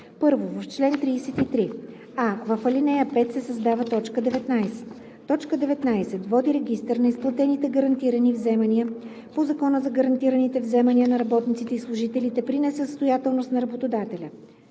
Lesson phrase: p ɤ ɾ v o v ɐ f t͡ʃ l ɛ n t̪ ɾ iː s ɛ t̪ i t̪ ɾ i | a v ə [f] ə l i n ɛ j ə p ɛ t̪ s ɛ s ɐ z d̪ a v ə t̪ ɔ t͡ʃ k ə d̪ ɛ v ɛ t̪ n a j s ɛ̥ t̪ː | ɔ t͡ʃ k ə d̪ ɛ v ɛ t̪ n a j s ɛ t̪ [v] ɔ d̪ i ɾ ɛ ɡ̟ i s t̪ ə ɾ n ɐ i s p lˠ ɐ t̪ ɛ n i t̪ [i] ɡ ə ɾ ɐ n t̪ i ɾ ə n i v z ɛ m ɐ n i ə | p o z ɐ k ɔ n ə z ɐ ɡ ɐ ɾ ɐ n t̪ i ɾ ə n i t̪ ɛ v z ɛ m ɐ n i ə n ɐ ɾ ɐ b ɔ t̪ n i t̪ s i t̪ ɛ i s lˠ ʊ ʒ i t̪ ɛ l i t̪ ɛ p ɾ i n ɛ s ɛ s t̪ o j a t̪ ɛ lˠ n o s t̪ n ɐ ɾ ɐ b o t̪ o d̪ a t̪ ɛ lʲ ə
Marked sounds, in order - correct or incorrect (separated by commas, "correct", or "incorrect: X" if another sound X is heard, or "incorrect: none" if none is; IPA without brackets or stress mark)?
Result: correct, correct, incorrect: ɛ